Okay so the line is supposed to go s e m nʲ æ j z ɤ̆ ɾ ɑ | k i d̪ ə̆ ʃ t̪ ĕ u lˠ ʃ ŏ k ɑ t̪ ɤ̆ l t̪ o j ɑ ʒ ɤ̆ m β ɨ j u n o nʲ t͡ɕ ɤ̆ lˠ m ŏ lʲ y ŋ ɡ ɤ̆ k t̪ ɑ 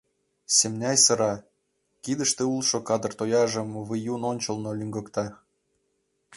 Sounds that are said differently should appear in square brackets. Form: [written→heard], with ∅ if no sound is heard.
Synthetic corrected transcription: s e m nʲ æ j [z→s] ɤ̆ ɾ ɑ | k i d̪ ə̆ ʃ t̪ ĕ u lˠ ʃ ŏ k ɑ [t̪→d̪] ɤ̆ [l→r] t̪ o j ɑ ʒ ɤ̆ m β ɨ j u n o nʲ t͡ɕ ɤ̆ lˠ [m→n] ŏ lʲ y ŋ ɡ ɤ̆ k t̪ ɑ

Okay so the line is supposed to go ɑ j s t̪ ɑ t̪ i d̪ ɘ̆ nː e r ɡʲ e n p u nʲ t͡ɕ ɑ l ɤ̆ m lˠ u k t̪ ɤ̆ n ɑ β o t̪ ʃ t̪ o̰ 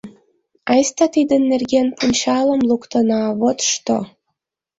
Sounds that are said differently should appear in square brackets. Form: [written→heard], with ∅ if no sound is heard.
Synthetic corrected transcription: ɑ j s t̪ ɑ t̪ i d̪ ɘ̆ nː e r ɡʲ e n p u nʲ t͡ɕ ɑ l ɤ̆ m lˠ u k t̪ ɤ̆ n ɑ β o t̪ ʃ t̪ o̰

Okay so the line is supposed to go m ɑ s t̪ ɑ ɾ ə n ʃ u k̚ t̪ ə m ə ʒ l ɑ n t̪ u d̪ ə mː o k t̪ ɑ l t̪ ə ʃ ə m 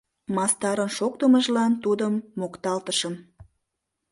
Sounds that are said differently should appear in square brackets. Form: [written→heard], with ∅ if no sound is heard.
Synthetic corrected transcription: m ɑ s t̪ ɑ ɾ ə n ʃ [u→o] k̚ t̪ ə m ə ʒ l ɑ n t̪ u d̪ ə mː o k t̪ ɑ l t̪ ə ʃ ə m

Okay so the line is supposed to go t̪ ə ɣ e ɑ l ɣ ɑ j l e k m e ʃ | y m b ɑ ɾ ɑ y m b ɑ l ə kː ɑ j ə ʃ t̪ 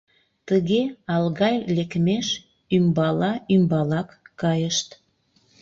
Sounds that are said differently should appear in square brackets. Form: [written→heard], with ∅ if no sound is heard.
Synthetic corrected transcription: t̪ ə ɣ e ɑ l ɣ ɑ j l e k m e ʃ | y m b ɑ [ɾ→l] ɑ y m b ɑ l [ə→ɑ] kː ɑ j ə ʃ t̪

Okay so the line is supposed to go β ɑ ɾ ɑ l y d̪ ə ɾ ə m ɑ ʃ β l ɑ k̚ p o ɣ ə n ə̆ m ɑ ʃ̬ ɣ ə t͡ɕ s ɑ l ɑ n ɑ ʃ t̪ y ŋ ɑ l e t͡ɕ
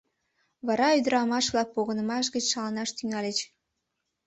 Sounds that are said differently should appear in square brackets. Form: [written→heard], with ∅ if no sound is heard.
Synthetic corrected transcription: β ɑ ɾ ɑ [l→∅] y d̪ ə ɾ [ə→ɑ] m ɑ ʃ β l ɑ k̚ p o ɣ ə n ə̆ m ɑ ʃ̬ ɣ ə t͡ɕ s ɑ l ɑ n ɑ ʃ t̪ y ŋ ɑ l e t͡ɕ

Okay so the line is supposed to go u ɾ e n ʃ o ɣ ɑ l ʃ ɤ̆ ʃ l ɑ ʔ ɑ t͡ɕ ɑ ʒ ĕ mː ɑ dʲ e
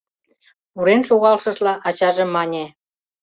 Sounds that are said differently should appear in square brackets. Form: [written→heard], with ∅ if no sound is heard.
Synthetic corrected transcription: u ɾ e n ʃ o ɣ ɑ l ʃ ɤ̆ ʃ l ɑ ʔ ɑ t͡ɕ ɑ ʒ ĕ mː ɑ [dʲ→nʲ] e

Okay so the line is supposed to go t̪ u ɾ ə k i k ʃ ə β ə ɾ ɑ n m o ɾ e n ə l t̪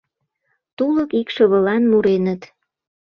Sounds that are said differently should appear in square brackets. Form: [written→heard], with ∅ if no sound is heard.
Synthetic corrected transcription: t̪ u [ɾ→l] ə k i k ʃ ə β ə [ɾ→l] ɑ n m [o→u] ɾ e n ə [l→∅] t̪

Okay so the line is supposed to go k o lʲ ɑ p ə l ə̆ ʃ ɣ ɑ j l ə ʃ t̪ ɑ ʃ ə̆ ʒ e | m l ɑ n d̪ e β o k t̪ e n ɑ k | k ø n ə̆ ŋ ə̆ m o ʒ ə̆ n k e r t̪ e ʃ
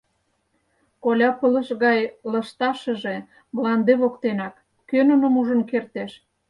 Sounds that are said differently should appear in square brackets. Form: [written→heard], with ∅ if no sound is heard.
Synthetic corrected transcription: k o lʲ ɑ p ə l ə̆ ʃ ɣ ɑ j l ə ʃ t̪ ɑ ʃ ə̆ ʒ e | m l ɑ n d̪ e β o k t̪ e n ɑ k | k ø n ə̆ [ŋ→n] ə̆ m [o→u] ʒ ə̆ n k e r t̪ e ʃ

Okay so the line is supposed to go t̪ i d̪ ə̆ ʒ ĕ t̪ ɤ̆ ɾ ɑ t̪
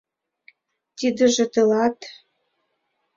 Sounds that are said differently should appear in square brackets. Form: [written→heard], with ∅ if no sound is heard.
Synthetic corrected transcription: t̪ i d̪ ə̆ ʒ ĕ t̪ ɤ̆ [ɾ→l] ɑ t̪

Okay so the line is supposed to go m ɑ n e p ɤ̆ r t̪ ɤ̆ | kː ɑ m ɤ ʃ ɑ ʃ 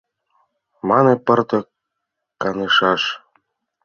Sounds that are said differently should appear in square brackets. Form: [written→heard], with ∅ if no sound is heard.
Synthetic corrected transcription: m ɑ n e p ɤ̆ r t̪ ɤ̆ | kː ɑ [m→n] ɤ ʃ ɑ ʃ

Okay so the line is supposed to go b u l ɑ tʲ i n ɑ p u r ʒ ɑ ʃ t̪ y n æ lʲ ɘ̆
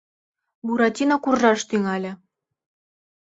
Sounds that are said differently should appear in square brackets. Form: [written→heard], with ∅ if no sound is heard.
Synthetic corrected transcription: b u [l→ɾ] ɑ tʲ i n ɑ [p→k] u r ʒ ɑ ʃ t̪ y [n→ŋ] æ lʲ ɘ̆

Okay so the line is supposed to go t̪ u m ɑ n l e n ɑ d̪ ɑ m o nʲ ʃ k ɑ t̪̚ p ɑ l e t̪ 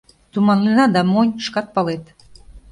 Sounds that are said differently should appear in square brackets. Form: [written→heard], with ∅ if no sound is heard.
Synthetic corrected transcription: t̪ u m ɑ n l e n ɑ d̪ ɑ m o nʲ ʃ k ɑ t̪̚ p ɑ l e t̪

